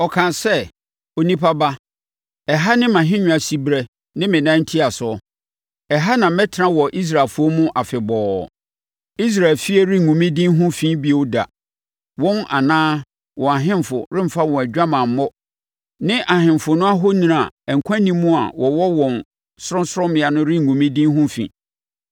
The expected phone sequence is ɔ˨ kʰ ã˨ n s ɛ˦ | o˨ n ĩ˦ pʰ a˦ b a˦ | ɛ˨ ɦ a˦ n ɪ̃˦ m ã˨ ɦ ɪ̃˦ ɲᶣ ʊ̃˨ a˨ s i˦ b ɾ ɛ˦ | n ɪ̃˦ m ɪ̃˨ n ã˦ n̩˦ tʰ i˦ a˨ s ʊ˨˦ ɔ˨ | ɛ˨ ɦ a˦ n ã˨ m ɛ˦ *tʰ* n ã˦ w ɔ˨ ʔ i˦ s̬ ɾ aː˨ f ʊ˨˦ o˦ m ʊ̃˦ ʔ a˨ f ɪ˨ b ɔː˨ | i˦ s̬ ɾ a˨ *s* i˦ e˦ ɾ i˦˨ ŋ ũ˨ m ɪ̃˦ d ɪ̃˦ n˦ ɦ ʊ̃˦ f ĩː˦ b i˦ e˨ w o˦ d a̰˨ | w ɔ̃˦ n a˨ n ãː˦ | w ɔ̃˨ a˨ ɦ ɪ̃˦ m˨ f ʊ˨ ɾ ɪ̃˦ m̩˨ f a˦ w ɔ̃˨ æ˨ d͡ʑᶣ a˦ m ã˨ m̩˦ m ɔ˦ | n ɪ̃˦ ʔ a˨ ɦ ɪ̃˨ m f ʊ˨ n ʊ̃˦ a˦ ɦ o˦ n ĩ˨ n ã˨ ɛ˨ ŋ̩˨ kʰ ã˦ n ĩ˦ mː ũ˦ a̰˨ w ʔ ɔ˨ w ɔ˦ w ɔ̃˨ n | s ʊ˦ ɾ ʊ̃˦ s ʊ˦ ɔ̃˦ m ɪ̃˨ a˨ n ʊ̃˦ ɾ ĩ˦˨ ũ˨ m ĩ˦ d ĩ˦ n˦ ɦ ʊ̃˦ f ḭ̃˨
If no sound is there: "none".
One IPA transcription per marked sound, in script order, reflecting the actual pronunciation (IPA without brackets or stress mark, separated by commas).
tʰ, f